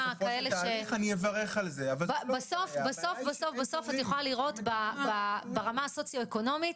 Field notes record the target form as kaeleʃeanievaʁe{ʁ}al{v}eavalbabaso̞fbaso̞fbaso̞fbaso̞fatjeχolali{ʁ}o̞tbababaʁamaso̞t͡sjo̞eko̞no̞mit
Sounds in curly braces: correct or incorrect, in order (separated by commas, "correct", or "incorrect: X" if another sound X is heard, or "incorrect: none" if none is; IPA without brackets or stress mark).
incorrect: χ, incorrect: z, correct